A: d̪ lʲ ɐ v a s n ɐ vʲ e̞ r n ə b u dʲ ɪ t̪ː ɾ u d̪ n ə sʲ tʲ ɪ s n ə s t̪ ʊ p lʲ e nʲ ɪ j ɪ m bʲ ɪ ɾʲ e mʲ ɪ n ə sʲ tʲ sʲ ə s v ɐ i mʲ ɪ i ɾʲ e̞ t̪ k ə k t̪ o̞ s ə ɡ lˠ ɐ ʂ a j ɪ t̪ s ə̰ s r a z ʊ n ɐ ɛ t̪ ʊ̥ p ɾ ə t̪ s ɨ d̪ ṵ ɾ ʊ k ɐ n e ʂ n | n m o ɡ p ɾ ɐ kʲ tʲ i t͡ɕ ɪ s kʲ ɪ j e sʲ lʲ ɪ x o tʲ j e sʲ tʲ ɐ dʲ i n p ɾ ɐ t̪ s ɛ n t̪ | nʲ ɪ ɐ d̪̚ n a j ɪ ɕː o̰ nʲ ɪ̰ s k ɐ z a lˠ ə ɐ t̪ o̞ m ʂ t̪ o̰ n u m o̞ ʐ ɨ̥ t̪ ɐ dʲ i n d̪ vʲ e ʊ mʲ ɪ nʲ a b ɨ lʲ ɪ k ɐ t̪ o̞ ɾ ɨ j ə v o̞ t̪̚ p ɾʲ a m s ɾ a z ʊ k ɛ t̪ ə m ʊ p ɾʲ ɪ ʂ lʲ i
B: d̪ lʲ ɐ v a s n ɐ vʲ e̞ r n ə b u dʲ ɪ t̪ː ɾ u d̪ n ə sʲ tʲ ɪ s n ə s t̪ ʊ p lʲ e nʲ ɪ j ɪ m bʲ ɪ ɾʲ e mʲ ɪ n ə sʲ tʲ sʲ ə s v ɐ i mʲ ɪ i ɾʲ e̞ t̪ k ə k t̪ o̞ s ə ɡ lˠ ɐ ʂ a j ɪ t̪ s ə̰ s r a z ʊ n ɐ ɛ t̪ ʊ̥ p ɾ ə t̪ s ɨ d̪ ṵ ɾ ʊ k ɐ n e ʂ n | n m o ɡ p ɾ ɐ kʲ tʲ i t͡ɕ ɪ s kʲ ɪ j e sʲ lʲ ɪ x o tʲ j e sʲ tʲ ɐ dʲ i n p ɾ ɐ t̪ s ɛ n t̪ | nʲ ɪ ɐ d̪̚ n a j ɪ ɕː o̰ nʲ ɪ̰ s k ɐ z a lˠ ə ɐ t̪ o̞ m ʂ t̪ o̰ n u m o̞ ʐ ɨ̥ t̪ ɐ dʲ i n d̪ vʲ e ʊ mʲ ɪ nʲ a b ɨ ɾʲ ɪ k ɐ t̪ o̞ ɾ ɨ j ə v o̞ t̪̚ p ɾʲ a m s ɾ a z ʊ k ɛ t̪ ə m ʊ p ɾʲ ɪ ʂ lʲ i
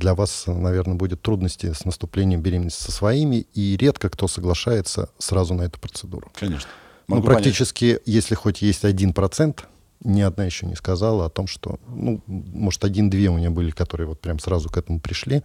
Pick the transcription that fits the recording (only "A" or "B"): A